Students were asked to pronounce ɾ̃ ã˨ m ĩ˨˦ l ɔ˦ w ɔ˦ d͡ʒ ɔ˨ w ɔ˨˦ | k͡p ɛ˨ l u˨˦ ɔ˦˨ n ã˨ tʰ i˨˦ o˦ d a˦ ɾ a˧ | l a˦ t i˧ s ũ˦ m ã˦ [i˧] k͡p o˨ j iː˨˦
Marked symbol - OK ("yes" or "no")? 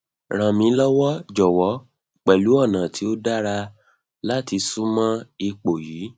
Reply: yes